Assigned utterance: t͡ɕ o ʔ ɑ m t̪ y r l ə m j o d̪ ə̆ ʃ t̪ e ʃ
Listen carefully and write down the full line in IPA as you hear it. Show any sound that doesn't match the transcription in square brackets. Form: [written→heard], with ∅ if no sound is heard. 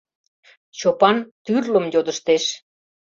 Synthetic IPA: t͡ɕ o [ʔ→p] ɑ [m→n] t̪ y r l ə m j o d̪ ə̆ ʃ t̪ e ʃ